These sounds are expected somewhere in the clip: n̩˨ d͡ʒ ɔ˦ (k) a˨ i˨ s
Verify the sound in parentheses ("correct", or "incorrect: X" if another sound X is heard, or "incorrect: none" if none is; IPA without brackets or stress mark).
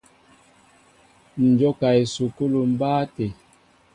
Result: correct